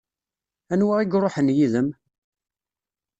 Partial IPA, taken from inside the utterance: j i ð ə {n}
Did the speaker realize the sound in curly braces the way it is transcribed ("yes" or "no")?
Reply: no